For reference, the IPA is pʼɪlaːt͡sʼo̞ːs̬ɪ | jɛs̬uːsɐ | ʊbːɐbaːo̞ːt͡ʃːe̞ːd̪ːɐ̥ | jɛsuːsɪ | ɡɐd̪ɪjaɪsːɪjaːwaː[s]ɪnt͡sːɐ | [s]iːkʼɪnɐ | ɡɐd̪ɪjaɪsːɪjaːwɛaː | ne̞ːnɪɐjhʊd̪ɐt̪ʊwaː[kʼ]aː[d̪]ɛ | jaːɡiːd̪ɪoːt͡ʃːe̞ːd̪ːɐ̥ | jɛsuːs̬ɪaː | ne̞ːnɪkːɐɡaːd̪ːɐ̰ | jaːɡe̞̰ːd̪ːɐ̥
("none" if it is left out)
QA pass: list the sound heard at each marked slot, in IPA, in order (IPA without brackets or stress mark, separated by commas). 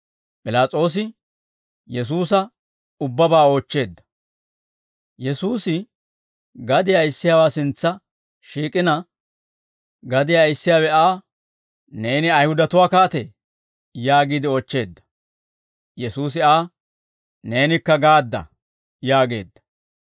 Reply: s, ʃ, k, t̪